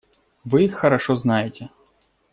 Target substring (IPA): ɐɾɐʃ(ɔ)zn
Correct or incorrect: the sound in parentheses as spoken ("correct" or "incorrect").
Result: correct